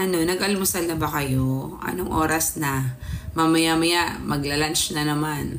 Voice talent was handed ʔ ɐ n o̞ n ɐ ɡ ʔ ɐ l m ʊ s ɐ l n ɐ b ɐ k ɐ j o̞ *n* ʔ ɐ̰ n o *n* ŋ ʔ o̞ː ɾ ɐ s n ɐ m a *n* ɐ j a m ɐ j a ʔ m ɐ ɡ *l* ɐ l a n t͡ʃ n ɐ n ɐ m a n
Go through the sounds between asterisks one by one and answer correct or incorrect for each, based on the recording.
incorrect, incorrect, incorrect, correct

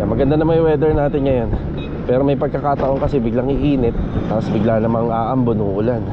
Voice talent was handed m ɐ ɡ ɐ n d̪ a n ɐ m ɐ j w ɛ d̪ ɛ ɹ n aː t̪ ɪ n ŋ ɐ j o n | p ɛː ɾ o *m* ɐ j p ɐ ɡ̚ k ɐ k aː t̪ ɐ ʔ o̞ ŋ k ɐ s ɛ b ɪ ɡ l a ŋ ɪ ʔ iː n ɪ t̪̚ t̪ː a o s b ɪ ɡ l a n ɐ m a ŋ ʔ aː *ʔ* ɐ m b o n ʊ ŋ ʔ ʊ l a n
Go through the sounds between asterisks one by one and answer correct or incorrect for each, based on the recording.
correct, correct

